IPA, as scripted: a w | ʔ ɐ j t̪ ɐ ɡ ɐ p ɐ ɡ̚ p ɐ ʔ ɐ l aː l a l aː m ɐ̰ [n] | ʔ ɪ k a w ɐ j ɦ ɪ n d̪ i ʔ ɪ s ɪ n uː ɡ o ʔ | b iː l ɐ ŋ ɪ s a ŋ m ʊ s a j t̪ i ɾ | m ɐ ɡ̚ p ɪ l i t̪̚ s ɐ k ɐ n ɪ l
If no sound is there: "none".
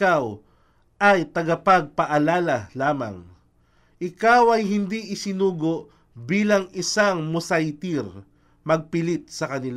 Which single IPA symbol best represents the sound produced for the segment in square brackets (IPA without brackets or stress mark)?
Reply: ŋ